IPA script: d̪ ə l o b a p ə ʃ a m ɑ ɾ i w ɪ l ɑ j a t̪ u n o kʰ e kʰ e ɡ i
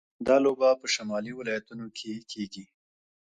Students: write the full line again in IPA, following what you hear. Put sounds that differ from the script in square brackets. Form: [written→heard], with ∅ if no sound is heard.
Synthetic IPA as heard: d̪ [ə→ɑ] l o b a p ə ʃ a m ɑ [ɾ→l] i w ɪ l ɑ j a t̪ u n o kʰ e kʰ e ɡ i